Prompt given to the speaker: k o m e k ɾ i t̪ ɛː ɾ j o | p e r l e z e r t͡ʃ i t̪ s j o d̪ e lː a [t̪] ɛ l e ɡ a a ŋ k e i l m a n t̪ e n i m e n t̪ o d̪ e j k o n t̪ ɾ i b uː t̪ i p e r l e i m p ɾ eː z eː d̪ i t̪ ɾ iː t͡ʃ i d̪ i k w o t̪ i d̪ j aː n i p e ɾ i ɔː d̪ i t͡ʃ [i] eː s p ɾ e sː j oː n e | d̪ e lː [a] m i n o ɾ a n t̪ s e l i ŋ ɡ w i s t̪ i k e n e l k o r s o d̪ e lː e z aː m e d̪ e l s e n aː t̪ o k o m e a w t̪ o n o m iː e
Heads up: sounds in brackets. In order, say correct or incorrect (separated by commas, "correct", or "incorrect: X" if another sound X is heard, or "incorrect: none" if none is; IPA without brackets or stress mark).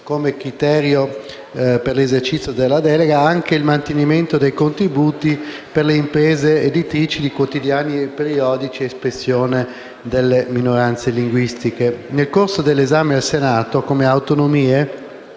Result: incorrect: d̪, correct, incorrect: e